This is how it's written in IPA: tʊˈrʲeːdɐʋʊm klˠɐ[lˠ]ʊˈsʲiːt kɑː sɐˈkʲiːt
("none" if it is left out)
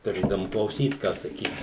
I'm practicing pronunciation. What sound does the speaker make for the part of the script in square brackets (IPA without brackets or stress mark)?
none